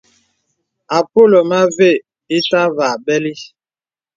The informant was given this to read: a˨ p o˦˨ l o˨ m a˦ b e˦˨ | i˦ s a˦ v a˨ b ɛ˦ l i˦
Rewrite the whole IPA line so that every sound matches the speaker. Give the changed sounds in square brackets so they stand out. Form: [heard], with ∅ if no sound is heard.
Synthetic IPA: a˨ p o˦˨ l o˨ m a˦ [v] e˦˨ | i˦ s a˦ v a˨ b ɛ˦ l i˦